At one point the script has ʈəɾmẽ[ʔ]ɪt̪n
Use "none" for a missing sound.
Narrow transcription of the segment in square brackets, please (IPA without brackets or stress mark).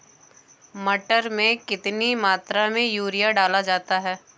k